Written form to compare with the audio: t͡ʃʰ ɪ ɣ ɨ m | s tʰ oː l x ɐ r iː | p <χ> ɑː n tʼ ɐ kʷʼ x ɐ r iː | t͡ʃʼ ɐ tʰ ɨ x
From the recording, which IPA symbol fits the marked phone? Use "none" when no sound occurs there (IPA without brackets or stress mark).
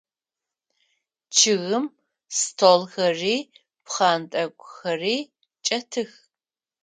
χ